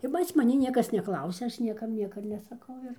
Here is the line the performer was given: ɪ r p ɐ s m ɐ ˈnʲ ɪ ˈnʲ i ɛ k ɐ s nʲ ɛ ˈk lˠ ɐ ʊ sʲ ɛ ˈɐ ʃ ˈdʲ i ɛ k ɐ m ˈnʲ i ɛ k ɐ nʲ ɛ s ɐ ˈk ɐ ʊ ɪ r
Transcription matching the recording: ɪ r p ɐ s m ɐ ˈnʲ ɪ ˈnʲ i ɛ k ɐ s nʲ ɛ ˈk lˠ ɐ ʊ sʲ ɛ ˈɐ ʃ ˈnʲ i ɛ k ɐ m ˈnʲ i ɛ k ɐ nʲ ɛ s ɐ ˈk ɐ ʊ ɪ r